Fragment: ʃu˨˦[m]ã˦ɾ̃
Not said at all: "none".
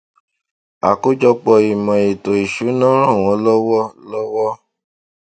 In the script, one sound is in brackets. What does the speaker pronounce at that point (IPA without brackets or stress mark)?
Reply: n